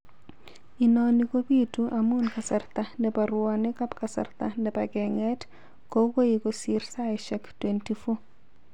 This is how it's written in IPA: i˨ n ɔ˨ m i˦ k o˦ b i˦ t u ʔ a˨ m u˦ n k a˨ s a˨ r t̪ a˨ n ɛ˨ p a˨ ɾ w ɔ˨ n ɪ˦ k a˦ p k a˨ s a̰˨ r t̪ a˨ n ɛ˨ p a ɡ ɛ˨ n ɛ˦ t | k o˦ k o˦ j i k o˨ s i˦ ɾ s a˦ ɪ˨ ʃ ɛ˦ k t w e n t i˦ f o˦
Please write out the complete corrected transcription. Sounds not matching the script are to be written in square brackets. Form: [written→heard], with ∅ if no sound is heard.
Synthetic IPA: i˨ n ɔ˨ [m→n] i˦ k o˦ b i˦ t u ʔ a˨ m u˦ n k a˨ s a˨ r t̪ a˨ n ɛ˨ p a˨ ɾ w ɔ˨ n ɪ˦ k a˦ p k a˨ s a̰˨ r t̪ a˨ n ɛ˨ p a ɡ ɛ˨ [n→ŋ] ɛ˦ t | k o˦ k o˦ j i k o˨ s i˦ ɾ s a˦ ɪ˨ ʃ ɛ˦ k t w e n t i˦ f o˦